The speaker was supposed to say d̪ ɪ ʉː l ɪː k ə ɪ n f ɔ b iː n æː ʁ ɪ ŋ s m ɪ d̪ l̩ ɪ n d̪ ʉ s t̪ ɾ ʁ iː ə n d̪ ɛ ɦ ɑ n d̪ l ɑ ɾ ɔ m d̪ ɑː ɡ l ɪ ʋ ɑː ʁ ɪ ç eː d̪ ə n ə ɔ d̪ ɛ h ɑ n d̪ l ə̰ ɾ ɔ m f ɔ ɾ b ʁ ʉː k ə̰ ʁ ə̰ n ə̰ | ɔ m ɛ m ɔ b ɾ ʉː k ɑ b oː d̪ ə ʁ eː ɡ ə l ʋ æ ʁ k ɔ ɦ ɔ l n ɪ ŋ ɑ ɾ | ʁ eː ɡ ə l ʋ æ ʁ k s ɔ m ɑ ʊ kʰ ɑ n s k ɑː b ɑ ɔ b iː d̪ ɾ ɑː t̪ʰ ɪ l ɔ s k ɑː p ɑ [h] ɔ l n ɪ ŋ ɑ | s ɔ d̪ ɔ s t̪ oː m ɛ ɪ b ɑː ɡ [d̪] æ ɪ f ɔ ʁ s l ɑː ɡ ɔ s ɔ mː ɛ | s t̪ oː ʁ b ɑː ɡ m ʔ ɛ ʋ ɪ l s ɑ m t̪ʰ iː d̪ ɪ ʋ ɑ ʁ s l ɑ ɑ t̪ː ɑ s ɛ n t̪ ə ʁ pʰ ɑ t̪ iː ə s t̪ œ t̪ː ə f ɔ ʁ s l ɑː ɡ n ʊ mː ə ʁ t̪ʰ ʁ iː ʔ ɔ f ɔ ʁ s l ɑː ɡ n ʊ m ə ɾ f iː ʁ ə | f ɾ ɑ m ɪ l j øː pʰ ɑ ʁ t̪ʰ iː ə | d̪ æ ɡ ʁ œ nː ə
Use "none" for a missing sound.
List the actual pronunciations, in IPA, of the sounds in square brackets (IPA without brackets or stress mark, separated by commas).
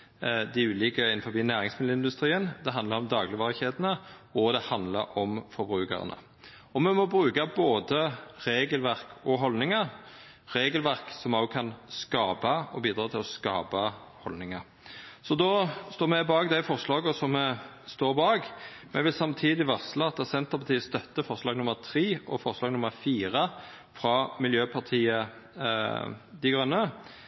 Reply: h, d̪